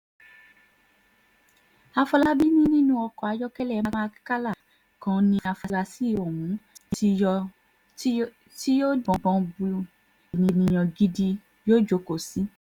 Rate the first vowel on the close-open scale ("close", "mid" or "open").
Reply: open